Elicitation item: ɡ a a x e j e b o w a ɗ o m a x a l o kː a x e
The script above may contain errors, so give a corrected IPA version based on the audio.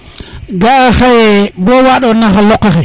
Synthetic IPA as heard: ɡ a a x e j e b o w a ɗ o n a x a l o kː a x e